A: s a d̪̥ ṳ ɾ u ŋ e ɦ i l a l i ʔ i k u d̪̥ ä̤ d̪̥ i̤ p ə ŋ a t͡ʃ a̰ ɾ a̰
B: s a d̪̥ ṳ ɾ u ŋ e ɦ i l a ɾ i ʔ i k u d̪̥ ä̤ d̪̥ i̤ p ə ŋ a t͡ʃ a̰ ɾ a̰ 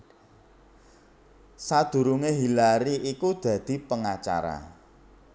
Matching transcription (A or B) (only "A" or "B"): B